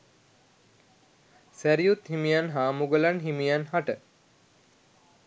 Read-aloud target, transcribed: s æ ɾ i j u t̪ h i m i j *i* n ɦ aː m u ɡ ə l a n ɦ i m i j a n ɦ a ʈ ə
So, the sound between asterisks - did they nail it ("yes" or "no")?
no